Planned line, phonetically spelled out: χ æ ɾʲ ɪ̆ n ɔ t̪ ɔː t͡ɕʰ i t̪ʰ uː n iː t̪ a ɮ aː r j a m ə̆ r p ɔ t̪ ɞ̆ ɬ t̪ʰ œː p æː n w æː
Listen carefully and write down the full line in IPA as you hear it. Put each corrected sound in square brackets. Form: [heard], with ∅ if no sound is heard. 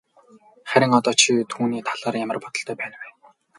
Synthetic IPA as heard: χ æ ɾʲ ɪ̆ [ŋ] ɔ t̪ ɔː t͡ɕʰ i t̪ʰ uː n iː [t̪ʰ] a ɮ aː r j a m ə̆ r p ɔ t̪ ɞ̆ ɬ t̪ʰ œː p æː n w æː